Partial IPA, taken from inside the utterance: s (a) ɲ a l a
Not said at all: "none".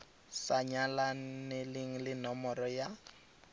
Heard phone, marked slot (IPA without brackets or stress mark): a